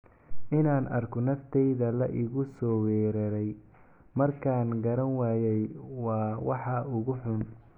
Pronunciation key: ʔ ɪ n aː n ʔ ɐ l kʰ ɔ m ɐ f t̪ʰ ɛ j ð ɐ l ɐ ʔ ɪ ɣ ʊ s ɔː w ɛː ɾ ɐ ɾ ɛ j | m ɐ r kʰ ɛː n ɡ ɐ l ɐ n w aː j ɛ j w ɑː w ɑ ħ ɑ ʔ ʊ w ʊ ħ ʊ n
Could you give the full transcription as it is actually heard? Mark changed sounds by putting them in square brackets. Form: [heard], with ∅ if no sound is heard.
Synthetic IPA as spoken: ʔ ɪ n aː n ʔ ɐ [r] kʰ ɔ [n] ɐ f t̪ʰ ɛ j ð ɐ l ɐ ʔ ɪ ɣ ʊ s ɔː w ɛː ɾ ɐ ɾ ɛ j | m ɐ r kʰ [aː] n ɡ ɐ [ɾ] ɐ n w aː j ɛ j w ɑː w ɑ ħ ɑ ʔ ʊ [ɣ] ʊ ħ ʊ n